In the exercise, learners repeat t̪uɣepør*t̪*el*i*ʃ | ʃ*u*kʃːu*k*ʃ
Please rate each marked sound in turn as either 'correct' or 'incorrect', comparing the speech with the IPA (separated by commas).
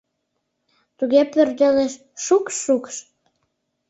incorrect, incorrect, correct, correct